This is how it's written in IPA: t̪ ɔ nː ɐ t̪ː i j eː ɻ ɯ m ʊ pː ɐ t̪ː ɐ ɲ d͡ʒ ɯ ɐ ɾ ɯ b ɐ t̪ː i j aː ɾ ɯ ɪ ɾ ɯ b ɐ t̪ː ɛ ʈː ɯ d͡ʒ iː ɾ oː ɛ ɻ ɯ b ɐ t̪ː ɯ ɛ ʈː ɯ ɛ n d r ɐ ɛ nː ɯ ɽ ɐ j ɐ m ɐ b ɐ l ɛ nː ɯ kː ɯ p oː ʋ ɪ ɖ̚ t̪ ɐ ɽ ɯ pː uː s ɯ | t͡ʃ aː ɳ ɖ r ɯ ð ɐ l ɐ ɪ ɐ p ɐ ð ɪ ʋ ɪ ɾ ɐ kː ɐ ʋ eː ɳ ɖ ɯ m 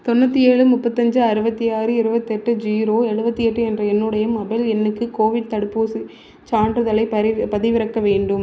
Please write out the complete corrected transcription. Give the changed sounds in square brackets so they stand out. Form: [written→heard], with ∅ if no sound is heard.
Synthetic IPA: t̪ ɔ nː ɐ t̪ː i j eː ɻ ɯ m ʊ pː ɐ t̪ː ɐ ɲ d͡ʒ ɯ ɐ ɾ ɯ b ɐ t̪ː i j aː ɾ ɯ ɪ ɾ ɯ b ɐ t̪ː ɛ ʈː ɯ d͡ʒ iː ɾ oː ɛ ɻ ɯ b ɐ t̪ː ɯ ɛ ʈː ɯ ɛ n d r ɐ ɛ nː ɯ ɽ ɐ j ɐ m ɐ b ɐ l ɛ nː ɯ kː ɯ [p→k] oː ʋ ɪ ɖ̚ t̪ ɐ ɽ ɯ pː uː s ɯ | t͡ʃ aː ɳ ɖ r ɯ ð ɐ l ɐ ɪ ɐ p ɐ ð ɪ ʋ ɪ ɾ ɐ kː ɐ ʋ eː ɳ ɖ ɯ m